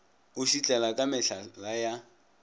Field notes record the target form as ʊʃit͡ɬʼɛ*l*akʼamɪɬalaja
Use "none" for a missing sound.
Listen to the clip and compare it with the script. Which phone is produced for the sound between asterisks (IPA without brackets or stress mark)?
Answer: l